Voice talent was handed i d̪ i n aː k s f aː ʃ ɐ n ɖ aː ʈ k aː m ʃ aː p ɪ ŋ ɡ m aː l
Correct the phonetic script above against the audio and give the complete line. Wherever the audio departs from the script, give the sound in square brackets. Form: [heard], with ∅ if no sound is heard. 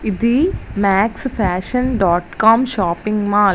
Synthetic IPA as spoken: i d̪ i [m] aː k s f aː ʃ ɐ n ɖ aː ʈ k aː m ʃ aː p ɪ ŋ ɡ m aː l